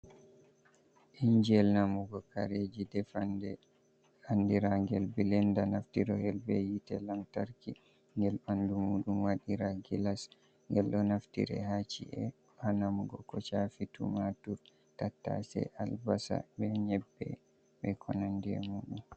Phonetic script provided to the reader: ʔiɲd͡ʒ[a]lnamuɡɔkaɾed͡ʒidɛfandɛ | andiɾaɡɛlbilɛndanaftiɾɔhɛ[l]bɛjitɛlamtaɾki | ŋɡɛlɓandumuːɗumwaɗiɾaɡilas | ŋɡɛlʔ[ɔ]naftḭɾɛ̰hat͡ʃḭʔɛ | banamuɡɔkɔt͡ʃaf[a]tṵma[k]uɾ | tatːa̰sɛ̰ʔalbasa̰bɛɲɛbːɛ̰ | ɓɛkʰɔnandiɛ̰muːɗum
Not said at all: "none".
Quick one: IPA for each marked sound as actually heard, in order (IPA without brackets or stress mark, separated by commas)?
ɛ, l, ɔ, i, t